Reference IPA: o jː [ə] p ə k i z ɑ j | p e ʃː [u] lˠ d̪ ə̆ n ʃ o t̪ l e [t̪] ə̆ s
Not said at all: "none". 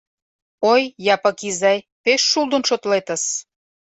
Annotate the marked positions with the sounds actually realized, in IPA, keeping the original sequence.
ɑ, u, t̪

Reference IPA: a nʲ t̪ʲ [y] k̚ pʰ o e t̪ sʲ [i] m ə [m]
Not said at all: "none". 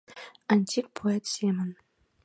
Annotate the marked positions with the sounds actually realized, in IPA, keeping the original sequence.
i, e, n

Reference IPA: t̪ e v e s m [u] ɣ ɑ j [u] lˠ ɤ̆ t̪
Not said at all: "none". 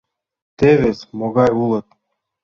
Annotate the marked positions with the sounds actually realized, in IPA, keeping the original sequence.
o, u

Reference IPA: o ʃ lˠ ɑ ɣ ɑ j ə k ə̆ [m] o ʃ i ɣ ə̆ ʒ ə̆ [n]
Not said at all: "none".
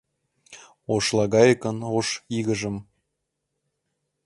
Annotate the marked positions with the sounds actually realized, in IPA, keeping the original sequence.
n, m

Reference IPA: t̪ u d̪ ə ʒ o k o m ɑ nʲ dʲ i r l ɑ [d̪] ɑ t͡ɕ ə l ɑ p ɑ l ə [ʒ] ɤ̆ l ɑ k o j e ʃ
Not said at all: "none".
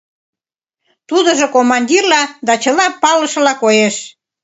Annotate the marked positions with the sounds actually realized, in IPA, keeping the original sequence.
d̪, ʃ

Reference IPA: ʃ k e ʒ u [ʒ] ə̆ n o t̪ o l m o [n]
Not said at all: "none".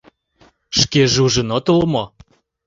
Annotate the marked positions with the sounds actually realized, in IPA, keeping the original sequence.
ʒ, none

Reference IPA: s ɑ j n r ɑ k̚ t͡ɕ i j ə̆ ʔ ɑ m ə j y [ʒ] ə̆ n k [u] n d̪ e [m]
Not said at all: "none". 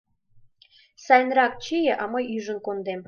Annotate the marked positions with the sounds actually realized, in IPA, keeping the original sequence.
ʒ, o, m

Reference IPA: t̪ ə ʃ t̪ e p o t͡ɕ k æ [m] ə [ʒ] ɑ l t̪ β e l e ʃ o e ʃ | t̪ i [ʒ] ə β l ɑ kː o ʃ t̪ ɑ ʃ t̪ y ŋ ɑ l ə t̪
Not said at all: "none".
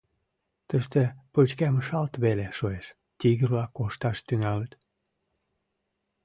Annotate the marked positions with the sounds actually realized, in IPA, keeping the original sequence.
m, ʃ, ɣ

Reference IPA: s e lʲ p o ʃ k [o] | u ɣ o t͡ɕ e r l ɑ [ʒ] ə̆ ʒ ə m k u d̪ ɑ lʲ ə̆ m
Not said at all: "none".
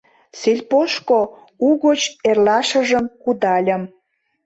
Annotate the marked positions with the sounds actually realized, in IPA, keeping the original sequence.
o, ʃ

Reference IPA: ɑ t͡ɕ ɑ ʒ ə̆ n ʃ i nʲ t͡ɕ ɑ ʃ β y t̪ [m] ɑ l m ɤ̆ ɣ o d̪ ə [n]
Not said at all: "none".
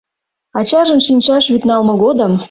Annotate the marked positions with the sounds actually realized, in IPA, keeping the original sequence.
n, m

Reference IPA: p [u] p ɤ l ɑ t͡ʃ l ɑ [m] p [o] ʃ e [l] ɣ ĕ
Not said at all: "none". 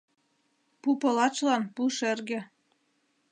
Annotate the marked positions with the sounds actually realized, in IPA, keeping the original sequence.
u, n, u, r

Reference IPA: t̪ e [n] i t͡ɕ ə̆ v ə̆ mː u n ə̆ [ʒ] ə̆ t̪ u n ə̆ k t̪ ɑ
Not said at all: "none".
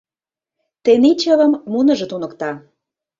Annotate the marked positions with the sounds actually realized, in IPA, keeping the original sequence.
n, ʒ

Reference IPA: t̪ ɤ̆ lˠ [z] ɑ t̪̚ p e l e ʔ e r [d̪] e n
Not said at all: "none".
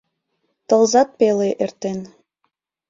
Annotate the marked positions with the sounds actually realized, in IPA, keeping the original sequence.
z, t̪

